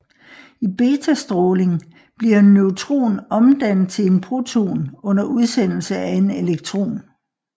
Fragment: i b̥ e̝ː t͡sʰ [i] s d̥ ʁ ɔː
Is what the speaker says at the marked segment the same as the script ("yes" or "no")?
no